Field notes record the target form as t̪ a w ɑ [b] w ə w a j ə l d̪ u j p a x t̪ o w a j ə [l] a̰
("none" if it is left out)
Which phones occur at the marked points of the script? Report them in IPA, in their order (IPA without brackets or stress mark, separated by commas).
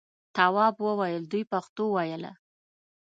b, l